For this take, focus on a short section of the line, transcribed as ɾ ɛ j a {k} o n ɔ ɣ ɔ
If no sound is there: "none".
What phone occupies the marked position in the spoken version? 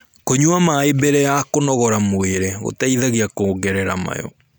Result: k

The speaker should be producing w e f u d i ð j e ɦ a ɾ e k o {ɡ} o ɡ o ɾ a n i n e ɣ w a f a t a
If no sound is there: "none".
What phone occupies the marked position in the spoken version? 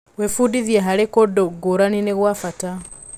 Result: d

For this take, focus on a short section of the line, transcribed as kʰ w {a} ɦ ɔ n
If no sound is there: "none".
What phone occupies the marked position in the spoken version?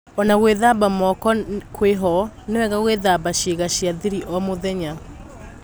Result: e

